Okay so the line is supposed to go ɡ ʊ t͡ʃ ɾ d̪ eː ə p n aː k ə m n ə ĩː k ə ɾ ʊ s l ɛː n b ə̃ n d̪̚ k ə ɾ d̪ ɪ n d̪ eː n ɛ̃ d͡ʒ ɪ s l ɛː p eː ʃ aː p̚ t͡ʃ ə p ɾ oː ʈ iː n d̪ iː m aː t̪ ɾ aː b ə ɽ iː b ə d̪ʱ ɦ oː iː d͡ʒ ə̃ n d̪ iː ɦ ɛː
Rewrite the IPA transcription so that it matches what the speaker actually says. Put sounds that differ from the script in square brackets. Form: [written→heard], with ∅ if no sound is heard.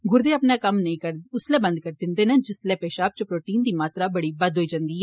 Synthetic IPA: ɡ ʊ [t͡ʃ→∅] ɾ d̪ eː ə p n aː k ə m n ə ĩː k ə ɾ ʊ s l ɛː [n→∅] b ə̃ n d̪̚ k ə ɾ d̪ ɪ n d̪ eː n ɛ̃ d͡ʒ ɪ s l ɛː p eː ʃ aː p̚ t͡ʃ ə p ɾ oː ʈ iː n d̪ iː m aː t̪ ɾ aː b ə ɽ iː b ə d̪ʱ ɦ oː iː d͡ʒ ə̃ n d̪ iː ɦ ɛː